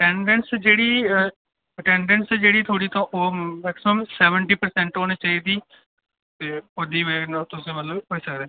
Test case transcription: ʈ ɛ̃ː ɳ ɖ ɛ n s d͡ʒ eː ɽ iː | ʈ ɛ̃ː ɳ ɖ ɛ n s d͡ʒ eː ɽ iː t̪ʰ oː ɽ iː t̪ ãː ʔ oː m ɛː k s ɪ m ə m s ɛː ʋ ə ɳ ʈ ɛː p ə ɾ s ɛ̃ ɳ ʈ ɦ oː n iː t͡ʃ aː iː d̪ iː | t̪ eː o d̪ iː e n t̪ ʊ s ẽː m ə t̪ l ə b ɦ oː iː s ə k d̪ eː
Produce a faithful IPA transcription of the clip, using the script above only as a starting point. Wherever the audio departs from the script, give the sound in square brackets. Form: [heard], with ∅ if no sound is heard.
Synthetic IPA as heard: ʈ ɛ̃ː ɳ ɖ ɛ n s d͡ʒ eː ɽ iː | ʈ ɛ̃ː ɳ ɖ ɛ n s d͡ʒ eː ɽ iː t̪ʰ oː ɽ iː t̪ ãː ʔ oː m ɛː k s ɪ m ə m s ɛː ʋ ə ɳ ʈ [iː] p ə ɾ s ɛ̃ ɳ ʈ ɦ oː n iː t͡ʃ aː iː d̪ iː | t̪ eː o d̪ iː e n t̪ ʊ s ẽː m ə t̪ l ə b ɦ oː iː s ə k d̪ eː

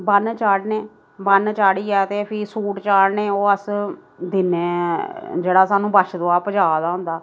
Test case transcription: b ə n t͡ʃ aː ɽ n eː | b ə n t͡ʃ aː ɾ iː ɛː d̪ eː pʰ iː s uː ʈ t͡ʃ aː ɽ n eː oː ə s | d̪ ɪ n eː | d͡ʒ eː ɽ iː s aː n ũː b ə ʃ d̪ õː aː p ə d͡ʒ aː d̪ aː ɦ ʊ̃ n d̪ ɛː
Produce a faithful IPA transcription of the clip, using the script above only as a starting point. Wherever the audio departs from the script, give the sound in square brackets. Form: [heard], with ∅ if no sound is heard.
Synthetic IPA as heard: b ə n t͡ʃ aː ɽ n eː | b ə n t͡ʃ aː [ɽ] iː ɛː [t̪] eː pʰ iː s uː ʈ t͡ʃ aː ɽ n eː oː ə s | d̪ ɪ n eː | d͡ʒ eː ɽ [aː] s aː n ũː b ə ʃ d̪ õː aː p ə d͡ʒ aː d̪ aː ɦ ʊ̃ n d̪ [aː]

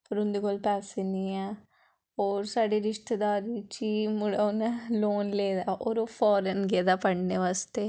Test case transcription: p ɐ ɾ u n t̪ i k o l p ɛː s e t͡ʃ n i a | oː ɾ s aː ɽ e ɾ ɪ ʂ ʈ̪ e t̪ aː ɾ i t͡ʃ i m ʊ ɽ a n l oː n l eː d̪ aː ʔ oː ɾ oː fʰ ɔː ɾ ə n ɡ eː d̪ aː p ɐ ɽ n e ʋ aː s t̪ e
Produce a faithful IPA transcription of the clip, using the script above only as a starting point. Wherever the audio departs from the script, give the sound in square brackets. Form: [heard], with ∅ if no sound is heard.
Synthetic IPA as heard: p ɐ ɾ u n [d̪] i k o l p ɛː s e [∅] n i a | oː ɾ s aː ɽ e ɾ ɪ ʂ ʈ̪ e [d̪] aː ɾ i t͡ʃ i m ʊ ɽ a n l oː n l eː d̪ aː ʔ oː ɾ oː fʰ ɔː ɾ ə n ɡ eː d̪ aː p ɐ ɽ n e ʋ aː s t̪ e

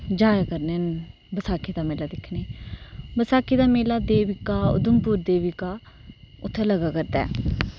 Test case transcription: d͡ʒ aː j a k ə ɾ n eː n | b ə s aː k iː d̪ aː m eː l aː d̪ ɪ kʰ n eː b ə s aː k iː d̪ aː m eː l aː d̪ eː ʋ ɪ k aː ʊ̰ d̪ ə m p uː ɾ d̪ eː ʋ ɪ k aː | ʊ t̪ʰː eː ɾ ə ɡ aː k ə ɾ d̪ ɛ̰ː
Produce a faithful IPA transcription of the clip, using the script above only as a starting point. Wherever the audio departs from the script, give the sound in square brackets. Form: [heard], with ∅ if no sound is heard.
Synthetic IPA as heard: d͡ʒ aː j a k ə ɾ n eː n | b ə s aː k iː d̪ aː m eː l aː d̪ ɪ kʰ n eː b ə s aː k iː d̪ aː m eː l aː d̪ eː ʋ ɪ k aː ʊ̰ d̪ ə m p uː ɾ d̪ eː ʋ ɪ k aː | ʊ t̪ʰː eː [l] ə ɡ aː k ə ɾ d̪ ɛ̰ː

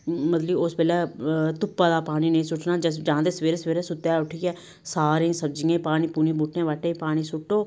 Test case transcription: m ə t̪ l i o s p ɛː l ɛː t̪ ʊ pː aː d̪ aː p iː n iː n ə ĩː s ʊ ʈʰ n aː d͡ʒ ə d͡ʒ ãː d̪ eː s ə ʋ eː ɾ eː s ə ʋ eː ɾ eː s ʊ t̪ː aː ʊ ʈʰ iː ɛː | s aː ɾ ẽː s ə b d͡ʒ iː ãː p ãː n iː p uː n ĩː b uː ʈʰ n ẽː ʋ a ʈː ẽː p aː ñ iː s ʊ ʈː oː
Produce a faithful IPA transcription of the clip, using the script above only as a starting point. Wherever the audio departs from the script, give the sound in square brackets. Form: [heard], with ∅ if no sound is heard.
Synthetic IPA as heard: m ə t̪ l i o s p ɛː l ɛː t̪ ʊ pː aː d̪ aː p [aː] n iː n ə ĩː s ʊ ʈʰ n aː d͡ʒ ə d͡ʒ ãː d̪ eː s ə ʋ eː ɾ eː s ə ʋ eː ɾ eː s ʊ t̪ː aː ʊ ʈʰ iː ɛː | s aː ɾ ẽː s ə b d͡ʒ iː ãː p [aː] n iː p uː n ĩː b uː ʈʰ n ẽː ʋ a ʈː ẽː p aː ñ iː s ʊ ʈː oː

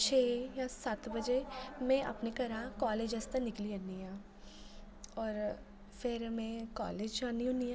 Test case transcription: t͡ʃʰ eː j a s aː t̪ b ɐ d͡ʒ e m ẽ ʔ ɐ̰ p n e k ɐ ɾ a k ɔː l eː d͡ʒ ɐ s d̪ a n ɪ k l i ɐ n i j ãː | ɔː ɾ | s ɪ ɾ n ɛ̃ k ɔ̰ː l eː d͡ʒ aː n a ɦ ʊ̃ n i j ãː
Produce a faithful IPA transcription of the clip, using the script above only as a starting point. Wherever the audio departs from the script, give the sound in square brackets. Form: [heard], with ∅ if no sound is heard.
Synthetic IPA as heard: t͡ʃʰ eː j a s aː t̪ b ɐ d͡ʒ e m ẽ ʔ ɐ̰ p n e k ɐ ɾ a k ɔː l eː d͡ʒ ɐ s [t̪] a n ɪ k l i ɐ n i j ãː | ɔː ɾ | [f] ɪ ɾ [m] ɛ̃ k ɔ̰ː l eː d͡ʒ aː n [i] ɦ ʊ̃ n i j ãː

